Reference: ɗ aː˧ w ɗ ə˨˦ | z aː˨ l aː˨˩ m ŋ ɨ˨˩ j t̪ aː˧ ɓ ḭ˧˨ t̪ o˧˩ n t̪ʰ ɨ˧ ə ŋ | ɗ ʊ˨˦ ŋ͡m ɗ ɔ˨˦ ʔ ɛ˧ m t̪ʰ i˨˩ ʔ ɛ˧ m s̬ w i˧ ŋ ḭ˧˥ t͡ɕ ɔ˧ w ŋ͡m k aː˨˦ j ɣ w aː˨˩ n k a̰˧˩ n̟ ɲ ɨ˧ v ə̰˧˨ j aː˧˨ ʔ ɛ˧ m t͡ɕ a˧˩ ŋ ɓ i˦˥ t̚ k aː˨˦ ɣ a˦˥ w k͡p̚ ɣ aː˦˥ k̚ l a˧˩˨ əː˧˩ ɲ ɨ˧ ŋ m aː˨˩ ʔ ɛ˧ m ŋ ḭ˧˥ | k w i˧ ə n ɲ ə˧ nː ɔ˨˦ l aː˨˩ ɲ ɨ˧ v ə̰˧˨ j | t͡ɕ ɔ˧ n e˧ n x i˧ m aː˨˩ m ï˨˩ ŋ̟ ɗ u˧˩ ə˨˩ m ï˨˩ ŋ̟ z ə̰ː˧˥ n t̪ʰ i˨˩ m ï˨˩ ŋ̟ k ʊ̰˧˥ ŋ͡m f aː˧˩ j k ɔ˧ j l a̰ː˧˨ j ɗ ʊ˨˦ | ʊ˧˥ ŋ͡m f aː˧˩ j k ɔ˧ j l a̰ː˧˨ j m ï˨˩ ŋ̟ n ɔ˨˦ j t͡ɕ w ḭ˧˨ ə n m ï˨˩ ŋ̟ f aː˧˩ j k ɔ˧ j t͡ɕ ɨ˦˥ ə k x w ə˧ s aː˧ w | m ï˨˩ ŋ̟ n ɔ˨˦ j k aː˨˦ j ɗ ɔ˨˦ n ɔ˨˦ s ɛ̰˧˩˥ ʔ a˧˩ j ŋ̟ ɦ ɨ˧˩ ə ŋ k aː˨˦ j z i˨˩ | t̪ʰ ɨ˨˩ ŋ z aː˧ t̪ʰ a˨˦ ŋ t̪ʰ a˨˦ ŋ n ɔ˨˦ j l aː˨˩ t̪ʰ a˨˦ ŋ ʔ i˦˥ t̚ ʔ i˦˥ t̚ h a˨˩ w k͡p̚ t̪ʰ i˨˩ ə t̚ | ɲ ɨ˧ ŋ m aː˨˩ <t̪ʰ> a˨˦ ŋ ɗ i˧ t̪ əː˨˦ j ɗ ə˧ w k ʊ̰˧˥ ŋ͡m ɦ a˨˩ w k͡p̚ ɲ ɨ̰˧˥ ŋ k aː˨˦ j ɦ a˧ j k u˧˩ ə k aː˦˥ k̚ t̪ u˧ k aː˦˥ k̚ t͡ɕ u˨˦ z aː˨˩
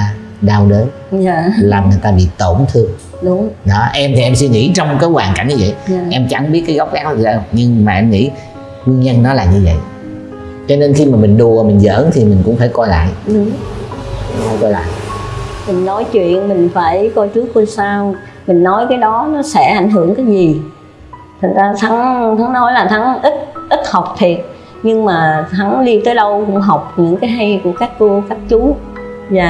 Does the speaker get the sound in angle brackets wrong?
no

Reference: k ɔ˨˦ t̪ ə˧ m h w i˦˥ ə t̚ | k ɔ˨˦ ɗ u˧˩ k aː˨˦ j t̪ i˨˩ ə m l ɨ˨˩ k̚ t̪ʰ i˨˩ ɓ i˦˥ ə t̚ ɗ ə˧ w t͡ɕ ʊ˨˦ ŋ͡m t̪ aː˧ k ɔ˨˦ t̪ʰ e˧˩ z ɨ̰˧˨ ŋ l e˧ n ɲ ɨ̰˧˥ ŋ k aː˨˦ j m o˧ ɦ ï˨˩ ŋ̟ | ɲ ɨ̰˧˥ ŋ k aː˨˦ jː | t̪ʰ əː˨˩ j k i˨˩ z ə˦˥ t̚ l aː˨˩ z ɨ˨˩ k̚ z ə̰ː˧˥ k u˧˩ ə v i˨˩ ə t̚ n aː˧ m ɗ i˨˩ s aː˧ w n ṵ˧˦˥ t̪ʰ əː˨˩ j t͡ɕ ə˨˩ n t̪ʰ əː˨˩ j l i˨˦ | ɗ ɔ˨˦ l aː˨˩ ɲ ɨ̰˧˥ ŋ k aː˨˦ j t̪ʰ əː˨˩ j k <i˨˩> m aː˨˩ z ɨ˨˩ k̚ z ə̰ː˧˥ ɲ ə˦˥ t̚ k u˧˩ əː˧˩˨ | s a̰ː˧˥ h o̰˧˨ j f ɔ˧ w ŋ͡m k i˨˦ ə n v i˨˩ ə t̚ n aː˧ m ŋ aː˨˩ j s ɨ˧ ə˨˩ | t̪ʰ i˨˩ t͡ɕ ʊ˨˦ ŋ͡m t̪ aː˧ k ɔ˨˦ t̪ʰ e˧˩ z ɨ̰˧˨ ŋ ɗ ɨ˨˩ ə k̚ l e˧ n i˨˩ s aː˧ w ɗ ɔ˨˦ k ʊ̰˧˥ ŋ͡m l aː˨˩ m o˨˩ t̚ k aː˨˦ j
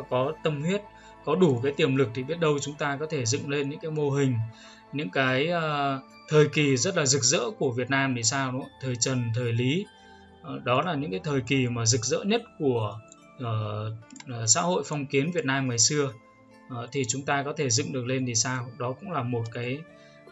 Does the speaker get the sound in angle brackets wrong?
no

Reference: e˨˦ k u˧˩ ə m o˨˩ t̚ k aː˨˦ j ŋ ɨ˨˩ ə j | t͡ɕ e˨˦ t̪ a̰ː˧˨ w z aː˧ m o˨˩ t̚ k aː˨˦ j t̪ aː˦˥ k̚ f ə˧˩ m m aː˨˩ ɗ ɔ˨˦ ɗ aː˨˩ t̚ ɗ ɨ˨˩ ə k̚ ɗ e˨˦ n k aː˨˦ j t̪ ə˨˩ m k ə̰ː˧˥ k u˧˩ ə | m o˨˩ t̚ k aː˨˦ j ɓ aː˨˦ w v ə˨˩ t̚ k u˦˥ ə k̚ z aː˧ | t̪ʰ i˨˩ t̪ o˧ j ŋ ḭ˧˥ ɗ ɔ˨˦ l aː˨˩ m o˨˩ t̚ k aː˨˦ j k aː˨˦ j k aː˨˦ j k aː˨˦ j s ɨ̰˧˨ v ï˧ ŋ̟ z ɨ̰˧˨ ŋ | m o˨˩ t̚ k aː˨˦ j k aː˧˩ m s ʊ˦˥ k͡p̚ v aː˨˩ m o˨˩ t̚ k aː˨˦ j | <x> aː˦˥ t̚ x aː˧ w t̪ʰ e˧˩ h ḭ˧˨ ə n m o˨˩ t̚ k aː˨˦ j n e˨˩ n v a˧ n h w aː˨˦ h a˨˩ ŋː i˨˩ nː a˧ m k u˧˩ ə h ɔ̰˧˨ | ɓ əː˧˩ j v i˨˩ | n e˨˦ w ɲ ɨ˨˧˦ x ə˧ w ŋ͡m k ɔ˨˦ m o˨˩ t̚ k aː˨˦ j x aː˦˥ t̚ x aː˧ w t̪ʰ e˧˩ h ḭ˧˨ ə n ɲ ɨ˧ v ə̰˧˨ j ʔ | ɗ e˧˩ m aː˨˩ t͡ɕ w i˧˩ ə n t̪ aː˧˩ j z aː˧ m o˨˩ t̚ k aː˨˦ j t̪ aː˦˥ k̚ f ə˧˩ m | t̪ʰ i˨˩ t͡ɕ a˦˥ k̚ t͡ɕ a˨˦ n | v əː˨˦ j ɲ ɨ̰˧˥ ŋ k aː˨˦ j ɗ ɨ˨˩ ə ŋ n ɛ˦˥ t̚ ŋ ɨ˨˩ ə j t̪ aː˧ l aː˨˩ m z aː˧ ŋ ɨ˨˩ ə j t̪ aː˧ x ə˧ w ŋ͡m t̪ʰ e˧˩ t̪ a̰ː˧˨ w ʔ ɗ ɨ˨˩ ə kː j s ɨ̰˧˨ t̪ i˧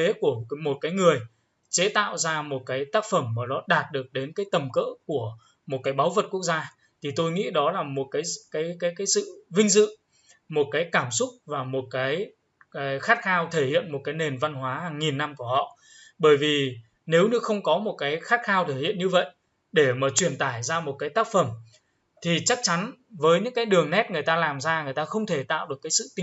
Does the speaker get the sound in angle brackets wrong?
no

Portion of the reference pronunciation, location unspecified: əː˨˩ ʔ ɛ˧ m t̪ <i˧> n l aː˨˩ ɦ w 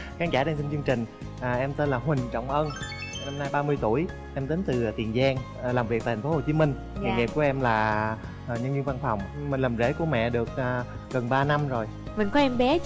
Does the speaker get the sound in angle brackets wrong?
yes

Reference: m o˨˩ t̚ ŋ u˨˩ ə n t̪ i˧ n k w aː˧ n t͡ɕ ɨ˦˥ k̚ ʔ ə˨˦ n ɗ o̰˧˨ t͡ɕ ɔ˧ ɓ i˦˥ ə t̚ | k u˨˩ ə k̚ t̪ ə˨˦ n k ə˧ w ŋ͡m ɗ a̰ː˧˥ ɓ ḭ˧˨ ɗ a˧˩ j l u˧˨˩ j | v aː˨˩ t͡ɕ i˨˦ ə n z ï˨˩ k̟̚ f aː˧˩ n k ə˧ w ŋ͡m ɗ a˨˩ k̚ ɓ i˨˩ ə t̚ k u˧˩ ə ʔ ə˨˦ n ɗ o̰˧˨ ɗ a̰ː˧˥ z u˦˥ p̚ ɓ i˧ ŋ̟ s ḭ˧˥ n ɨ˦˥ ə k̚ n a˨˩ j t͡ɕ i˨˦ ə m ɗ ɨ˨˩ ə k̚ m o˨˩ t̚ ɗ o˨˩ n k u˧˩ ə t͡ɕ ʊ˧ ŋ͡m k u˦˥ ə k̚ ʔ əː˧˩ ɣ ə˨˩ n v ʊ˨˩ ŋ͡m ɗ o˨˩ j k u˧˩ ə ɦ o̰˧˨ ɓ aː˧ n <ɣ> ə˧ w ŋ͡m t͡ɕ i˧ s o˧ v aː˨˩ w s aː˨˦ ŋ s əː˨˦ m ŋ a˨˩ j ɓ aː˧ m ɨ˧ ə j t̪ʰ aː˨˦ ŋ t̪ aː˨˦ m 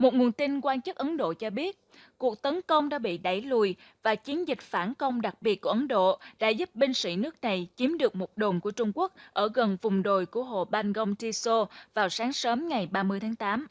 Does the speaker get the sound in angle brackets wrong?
no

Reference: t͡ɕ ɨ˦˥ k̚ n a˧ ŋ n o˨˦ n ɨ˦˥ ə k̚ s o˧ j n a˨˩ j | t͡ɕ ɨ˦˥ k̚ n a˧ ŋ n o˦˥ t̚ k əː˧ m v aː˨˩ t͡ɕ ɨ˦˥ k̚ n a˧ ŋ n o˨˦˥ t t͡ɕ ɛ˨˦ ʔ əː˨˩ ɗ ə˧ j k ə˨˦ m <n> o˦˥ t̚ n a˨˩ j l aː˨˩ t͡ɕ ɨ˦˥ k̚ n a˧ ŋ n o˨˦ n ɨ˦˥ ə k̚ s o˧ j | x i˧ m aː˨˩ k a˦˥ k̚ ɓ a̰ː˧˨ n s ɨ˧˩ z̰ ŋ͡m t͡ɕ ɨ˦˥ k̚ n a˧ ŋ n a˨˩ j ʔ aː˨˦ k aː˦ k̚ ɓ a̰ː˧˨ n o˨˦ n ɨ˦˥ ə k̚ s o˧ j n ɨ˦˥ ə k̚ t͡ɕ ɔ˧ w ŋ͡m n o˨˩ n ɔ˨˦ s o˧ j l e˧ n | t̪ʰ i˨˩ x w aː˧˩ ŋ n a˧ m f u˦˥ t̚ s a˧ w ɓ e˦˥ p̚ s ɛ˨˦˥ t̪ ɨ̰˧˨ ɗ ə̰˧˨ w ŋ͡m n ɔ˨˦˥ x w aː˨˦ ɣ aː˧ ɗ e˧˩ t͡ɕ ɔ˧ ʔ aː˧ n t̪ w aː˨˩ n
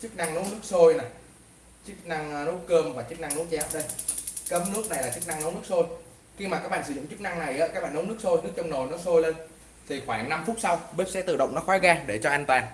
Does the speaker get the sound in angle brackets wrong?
no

